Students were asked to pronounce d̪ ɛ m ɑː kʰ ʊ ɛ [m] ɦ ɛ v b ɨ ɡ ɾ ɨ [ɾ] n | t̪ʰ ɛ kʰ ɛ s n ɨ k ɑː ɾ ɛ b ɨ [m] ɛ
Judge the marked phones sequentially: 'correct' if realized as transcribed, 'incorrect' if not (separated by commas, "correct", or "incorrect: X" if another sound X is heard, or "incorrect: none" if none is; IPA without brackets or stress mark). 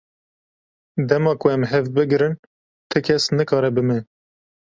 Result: correct, incorrect: none, correct